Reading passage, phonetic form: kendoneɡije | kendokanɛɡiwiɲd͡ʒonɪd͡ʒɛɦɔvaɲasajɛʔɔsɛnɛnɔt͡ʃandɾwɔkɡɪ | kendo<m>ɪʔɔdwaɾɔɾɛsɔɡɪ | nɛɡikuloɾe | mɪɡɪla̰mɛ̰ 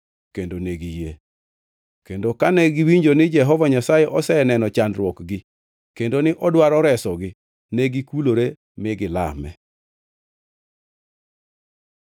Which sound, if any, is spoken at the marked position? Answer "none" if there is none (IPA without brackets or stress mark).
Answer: n